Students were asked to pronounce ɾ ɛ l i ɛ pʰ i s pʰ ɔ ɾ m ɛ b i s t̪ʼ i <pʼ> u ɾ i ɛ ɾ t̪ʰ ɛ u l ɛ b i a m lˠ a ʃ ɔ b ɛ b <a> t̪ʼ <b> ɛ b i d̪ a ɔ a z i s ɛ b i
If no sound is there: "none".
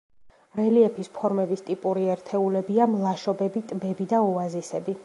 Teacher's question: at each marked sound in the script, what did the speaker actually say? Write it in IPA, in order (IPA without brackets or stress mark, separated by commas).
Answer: pʼ, i, b